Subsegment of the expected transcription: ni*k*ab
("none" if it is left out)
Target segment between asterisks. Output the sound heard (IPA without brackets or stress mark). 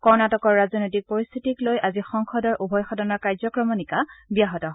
k